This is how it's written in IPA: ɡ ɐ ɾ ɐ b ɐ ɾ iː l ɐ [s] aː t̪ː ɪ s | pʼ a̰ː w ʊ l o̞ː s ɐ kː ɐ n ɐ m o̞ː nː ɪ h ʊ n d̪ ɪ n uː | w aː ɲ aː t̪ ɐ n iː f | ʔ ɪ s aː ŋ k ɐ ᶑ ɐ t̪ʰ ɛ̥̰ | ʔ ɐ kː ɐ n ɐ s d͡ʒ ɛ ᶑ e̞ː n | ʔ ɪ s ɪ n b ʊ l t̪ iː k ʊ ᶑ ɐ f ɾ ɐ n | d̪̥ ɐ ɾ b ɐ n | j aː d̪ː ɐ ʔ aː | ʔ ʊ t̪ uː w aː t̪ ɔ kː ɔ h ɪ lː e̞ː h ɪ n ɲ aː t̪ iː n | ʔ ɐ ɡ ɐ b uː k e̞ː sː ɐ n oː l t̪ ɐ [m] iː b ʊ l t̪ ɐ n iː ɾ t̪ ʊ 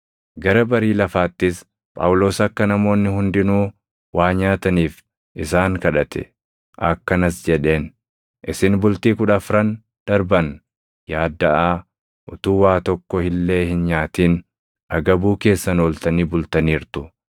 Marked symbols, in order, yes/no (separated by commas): no, no